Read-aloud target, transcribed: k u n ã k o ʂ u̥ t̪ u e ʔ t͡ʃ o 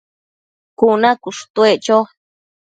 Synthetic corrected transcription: k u n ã k u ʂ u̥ t̪ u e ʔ t͡ʃ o